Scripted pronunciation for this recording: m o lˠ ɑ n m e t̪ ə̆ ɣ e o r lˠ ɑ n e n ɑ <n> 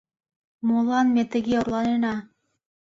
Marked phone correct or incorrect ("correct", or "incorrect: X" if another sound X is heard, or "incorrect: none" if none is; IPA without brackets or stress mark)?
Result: incorrect: none